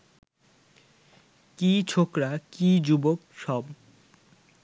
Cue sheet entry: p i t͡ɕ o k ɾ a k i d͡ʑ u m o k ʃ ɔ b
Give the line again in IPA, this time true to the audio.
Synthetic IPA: k i t͡ɕʰ o k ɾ a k i d͡ʑ u b o k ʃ ɔ b